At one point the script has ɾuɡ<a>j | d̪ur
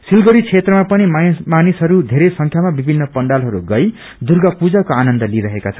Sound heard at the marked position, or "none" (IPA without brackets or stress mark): ʌ